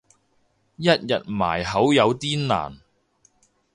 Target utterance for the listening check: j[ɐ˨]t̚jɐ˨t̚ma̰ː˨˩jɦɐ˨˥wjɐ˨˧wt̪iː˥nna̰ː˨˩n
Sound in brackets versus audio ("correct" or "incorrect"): incorrect